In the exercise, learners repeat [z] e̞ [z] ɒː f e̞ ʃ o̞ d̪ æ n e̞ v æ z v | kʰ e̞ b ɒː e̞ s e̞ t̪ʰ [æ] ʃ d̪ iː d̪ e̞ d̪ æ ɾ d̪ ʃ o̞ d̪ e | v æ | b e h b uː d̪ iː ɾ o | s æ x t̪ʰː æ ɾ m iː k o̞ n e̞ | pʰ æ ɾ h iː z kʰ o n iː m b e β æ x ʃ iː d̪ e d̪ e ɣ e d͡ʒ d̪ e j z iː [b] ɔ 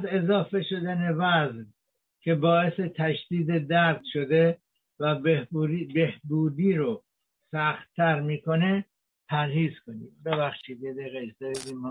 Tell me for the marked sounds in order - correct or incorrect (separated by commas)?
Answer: correct, correct, correct, incorrect